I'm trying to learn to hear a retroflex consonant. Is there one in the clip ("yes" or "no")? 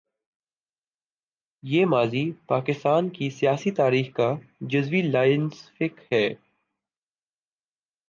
no